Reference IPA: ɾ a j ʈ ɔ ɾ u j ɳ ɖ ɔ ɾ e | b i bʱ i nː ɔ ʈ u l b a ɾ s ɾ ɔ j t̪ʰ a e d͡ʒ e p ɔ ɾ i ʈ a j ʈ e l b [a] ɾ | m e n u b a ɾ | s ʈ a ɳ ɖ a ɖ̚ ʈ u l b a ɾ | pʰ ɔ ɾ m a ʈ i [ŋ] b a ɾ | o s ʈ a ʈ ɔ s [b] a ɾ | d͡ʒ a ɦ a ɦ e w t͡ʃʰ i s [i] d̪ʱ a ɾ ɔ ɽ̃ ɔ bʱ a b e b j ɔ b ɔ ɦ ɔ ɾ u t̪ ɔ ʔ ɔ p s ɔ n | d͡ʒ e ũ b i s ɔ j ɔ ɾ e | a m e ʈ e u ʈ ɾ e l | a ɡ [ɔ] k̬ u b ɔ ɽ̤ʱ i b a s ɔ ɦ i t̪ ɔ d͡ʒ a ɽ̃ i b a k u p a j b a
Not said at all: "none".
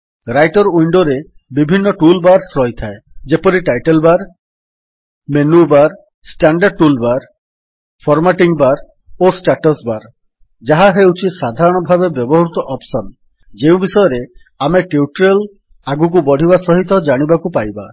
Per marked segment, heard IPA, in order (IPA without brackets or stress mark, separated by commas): a, ŋ, b, a, u